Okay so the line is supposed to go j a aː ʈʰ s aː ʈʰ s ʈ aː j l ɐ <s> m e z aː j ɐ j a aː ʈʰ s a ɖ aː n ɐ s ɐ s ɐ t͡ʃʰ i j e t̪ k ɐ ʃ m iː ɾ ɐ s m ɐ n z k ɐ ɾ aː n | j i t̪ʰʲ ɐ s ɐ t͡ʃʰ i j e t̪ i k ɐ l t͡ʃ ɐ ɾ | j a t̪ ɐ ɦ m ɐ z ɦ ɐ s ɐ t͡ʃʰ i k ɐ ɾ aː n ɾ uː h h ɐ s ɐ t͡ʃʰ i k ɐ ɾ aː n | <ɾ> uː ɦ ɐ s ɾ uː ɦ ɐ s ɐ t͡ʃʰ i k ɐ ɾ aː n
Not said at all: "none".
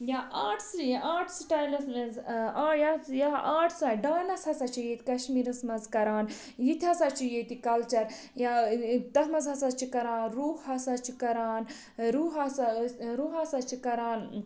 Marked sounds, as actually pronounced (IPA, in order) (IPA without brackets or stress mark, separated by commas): s, ɾ